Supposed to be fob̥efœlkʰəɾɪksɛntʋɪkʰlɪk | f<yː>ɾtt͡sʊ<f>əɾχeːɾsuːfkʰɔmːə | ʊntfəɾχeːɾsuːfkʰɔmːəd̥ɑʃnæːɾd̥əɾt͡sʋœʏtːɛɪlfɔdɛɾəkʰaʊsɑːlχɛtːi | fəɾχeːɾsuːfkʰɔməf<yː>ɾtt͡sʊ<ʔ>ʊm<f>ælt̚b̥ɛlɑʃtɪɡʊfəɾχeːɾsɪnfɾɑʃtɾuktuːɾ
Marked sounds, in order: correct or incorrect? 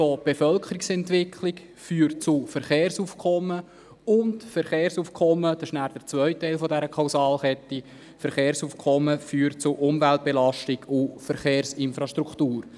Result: correct, correct, correct, correct, incorrect: v

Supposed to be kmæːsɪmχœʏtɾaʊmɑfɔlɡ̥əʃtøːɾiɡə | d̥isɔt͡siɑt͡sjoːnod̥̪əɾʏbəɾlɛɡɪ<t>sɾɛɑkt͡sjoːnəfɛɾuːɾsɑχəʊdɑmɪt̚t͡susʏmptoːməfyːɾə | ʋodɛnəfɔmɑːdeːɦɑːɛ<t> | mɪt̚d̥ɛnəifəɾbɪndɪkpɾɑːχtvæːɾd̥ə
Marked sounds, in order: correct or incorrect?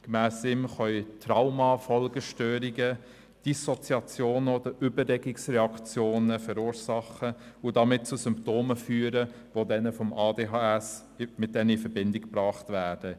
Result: incorrect: k, incorrect: s

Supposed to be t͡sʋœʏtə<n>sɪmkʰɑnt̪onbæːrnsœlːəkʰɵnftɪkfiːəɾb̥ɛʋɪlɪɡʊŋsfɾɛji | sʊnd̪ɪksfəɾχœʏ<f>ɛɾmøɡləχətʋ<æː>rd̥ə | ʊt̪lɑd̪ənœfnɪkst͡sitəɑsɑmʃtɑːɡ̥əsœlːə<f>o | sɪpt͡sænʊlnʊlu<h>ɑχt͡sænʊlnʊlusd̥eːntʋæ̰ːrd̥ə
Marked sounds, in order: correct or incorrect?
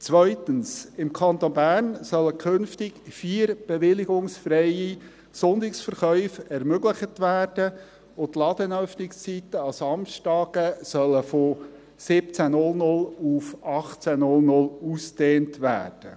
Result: correct, correct, correct, correct, incorrect: f

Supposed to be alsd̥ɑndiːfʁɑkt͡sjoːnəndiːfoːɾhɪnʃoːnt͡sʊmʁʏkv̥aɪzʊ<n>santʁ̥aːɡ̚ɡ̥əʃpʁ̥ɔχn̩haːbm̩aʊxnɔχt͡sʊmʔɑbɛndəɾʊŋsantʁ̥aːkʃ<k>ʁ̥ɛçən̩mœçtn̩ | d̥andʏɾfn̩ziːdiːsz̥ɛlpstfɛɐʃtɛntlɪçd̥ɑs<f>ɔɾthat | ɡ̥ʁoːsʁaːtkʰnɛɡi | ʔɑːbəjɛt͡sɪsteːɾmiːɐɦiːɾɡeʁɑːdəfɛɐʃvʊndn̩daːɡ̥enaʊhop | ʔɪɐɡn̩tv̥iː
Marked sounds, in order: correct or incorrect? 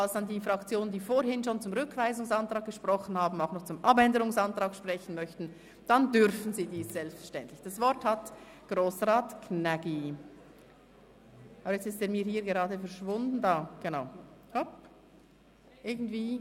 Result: incorrect: ŋ, incorrect: p, incorrect: v

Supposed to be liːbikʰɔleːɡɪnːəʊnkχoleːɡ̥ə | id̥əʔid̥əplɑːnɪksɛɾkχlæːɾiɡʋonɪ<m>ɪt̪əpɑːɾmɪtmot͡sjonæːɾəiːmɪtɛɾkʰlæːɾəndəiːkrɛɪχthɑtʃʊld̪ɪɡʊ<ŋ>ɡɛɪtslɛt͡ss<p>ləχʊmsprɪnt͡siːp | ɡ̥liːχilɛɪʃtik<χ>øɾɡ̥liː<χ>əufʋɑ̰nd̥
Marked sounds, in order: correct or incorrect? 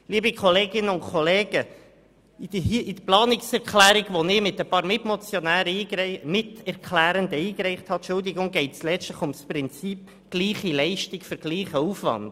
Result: correct, correct, incorrect: t, incorrect: f, correct

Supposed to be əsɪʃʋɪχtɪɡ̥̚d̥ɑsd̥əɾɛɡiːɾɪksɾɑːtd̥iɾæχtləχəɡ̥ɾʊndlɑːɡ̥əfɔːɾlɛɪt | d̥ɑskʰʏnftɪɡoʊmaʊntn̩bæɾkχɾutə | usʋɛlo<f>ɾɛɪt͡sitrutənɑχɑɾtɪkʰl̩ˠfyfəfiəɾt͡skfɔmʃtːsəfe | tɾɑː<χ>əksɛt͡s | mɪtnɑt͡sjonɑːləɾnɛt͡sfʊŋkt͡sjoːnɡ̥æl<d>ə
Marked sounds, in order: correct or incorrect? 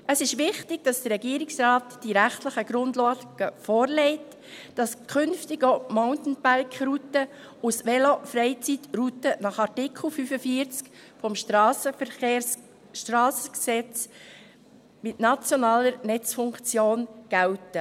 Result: correct, incorrect: s, incorrect: t

